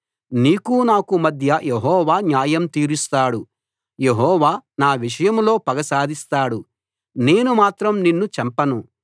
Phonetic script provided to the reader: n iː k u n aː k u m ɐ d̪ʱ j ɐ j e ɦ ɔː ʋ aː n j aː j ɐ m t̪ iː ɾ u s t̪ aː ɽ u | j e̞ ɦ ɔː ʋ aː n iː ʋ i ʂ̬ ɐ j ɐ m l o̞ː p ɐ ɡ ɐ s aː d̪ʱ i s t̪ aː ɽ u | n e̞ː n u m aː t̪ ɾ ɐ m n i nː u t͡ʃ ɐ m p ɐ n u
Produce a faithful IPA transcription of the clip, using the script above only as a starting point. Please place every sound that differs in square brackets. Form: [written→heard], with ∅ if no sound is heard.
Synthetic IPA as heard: n iː k u n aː k u m ɐ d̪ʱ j ɐ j e ɦ ɔː ʋ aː n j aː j ɐ m t̪ iː ɾ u s t̪ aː ɽ u | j e̞ ɦ ɔː ʋ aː n [iː→aː] ʋ i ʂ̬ ɐ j ɐ m l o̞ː p ɐ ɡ ɐ s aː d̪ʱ i s t̪ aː ɽ u | n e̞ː n u m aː t̪ ɾ ɐ m n i nː u t͡ʃ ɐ m p ɐ n u